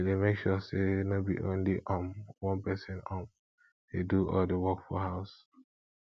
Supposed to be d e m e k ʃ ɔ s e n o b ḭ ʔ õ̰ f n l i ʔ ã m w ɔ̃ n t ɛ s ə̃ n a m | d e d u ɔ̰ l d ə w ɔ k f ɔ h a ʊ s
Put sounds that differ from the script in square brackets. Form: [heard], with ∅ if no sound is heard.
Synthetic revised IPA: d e m e k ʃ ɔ s e n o b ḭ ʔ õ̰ [∅] n l i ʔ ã m w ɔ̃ n [p] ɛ s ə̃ n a m | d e d u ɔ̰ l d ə w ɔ k f ɔ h a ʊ s